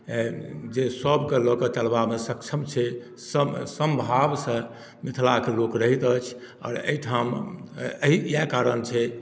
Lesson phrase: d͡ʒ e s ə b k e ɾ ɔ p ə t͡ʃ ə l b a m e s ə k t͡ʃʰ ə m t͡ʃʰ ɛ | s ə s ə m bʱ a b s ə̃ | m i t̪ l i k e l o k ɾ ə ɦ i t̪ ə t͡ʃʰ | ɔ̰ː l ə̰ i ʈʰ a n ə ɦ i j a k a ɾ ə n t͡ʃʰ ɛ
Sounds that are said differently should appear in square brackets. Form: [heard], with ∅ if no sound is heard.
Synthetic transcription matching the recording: d͡ʒ e s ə b k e [l] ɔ [k] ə t͡ʃ ə l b a m e s ə k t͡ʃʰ ə m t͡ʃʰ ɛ | s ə s ə m bʱ a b s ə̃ | m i [t̪ʰ] l [a] k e l o k ɾ ə ɦ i t̪ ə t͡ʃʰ | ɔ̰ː [ɾ] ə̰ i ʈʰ a [m] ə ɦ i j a k a ɾ ə n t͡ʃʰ ɛ

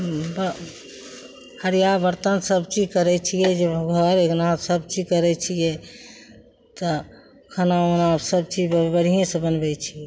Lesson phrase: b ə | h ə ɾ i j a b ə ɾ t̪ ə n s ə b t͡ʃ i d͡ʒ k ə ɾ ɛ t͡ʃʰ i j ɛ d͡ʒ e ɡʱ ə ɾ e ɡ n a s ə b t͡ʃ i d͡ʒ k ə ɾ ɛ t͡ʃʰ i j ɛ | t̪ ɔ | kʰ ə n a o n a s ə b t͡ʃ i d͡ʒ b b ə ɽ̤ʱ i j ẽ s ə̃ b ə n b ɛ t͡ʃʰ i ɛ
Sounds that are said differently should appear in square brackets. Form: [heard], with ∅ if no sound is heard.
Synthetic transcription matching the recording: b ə | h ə ɾ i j a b ə ɾ t̪ ə n s ə b t͡ʃ i d͡ʒ k ə ɾ ɛ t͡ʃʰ i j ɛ d͡ʒ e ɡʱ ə ɾ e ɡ n a s ə b t͡ʃ i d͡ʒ k ə ɾ ɛ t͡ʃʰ i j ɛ | t̪ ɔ | kʰ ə n a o n a s ə b t͡ʃ i d͡ʒ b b ə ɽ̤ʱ i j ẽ s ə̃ b ə n b ɛ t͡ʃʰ i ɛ

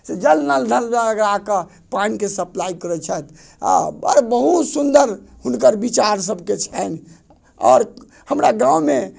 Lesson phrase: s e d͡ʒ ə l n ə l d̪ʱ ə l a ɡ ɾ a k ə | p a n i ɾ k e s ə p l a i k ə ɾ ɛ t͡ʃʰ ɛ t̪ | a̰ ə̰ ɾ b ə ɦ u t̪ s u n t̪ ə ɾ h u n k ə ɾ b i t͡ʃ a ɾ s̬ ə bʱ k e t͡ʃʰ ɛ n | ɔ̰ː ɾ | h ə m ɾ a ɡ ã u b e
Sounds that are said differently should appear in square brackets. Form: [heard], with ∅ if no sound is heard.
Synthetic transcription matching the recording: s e d͡ʒ ə l n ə l d̪ʱ ə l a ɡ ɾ a k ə | p a n i [∅] k e s ə p l a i k ə ɾ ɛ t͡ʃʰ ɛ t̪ | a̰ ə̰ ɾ b ə ɦ u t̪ s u n [d̪] ə ɾ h u n k ə ɾ b i t͡ʃ a ɾ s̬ ə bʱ k e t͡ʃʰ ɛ n | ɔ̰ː ɾ | h ə m ɾ a ɡ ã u [m] e

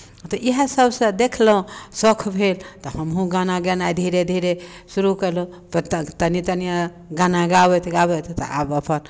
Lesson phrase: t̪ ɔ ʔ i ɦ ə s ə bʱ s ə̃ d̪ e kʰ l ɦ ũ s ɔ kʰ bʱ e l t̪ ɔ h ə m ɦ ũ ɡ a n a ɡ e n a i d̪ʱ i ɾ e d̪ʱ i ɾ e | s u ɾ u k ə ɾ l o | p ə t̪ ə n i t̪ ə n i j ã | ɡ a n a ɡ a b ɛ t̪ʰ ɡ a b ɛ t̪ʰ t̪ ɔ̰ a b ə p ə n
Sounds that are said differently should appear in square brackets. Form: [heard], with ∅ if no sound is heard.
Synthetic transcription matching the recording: t̪ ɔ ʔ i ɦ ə s ə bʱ s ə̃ d̪ e kʰ l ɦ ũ s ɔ kʰ bʱ e l t̪ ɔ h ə m ɦ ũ ɡ a n a ɡ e n a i d̪ʱ i ɾ e d̪ʱ i ɾ e | s u ɾ u k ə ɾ l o | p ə t̪ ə n i t̪ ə n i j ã | ɡ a n a ɡ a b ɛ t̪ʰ ɡ a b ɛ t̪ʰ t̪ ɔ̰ a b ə p ə n

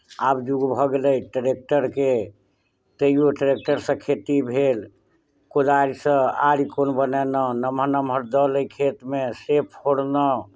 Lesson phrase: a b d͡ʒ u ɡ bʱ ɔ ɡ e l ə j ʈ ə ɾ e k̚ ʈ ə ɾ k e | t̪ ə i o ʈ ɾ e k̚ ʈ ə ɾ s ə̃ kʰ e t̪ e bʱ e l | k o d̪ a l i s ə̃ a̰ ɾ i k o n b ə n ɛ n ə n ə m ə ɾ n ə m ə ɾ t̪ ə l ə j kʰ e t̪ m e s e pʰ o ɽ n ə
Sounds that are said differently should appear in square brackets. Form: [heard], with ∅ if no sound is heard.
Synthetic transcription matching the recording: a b d͡ʒ u ɡ bʱ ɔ ɡ e l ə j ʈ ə ɾ e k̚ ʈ ə ɾ k e | t̪ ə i o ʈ ɾ e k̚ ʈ ə ɾ s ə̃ kʰ e t̪ [i] bʱ e l | k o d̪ a [ɾ] i s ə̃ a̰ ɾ i k o n b ə n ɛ n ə n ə m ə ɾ n ə m ə ɾ [d̪] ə l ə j kʰ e t̪ m e s e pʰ o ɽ n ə

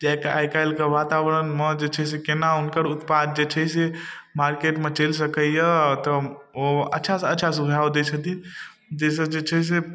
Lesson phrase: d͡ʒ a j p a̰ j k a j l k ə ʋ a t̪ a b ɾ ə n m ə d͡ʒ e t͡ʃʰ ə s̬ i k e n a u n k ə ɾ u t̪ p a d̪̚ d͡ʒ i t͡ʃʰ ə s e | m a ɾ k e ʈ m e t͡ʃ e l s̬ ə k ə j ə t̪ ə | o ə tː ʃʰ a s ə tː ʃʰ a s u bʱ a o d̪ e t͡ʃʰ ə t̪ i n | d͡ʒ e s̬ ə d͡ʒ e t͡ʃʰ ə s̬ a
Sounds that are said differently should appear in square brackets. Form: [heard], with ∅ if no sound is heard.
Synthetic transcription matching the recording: d͡ʒ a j [k] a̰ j k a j l k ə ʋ a t̪ a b ɾ ə n m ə d͡ʒ e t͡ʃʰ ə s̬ [e] k e n a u n k ə ɾ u t̪ p a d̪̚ d͡ʒ [e] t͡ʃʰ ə s e | m a ɾ k e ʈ m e t͡ʃ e l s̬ ə k ə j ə t̪ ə | o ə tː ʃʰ a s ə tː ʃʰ a s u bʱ a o d̪ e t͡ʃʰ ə t̪ i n | d͡ʒ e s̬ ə d͡ʒ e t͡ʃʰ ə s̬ [e]

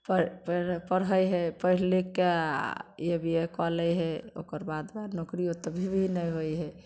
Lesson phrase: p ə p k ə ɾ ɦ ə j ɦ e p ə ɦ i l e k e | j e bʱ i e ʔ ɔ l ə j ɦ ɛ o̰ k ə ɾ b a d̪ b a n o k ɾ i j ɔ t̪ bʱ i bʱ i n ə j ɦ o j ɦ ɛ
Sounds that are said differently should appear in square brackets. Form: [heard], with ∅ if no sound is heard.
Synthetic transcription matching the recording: p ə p [p] ə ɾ ɦ ə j ɦ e p ə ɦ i l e k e | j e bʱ i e [k] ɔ l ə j ɦ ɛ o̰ k ə ɾ b a d̪ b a n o k ɾ i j [o] t̪ bʱ i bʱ i n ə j ɦ o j ɦ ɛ

